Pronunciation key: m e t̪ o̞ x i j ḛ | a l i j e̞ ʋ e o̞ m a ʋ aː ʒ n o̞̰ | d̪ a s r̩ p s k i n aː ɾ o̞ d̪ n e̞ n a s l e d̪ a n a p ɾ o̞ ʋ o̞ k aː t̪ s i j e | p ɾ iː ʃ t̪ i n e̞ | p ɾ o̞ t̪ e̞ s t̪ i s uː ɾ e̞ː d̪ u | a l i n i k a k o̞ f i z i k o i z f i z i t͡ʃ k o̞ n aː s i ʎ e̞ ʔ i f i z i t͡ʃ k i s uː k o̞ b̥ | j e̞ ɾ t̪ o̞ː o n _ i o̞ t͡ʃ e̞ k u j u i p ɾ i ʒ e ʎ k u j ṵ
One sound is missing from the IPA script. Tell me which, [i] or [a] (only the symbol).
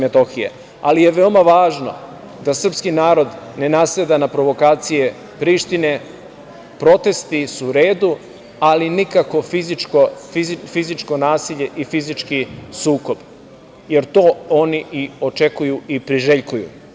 i